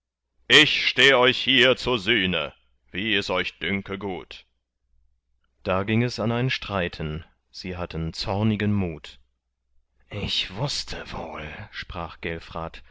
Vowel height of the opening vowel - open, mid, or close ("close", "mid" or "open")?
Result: close